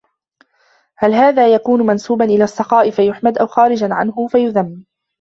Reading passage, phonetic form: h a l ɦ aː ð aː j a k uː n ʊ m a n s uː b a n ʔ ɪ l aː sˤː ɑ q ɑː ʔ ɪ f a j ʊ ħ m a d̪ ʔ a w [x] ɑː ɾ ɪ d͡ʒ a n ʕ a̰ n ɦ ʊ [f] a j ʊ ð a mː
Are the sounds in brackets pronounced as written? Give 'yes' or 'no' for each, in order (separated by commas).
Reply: yes, yes